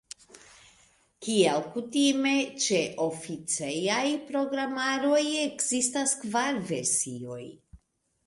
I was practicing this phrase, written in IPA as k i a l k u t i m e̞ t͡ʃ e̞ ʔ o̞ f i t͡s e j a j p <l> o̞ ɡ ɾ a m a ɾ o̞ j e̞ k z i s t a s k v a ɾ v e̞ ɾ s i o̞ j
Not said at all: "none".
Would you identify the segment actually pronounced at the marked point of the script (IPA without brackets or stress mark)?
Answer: ɾ